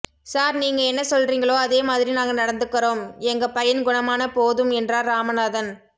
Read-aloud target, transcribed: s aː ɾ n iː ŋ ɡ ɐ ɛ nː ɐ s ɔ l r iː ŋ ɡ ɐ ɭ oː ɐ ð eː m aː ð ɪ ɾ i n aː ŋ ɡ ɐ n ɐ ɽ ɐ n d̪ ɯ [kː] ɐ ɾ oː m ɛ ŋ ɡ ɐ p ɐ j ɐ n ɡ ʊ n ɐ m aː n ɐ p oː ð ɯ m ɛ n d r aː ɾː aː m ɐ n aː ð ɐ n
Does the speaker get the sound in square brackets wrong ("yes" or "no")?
no